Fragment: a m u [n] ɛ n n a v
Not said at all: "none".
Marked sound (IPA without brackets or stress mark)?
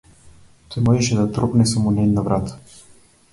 n